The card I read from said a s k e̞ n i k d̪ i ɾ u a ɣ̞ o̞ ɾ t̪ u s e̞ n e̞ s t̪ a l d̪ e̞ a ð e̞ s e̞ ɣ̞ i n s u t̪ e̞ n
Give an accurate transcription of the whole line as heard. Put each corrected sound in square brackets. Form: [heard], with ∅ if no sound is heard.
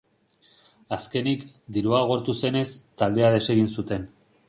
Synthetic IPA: a s k e̞ n i k d̪ i ɾ u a ɣ̞ o̞ ɾ t̪ u s e̞ n e̞ s t̪ a l d̪ e̞ a ð e̞ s e̞ ɣ̞ i n s u t̪ e̞ n